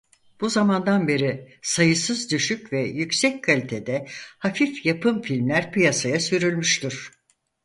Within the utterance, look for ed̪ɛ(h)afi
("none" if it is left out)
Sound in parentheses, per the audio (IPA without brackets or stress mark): h